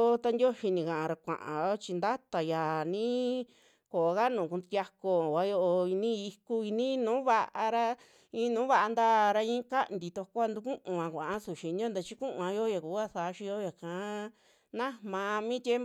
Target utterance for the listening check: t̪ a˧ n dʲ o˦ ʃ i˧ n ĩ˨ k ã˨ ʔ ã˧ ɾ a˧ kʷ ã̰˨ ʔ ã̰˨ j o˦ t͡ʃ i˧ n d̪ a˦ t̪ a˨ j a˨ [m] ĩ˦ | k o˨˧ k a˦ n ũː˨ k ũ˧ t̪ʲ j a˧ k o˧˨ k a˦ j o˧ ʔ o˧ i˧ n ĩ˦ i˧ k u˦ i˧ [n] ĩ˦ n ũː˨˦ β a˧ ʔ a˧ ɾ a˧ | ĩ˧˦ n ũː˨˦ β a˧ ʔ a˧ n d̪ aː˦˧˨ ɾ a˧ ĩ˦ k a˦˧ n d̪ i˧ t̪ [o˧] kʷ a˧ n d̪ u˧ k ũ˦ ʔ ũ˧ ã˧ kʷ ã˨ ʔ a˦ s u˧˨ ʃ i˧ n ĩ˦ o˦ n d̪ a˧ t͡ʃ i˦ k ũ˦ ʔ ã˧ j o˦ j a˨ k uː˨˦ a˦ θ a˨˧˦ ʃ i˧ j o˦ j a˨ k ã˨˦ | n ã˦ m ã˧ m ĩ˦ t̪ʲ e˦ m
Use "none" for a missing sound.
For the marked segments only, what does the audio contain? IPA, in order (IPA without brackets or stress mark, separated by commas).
n, n, o˧